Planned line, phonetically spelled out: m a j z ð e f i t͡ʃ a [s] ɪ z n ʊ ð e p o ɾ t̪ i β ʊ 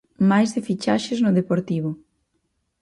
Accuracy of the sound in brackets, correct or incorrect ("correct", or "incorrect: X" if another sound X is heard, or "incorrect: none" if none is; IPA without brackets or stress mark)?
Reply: incorrect: ʃ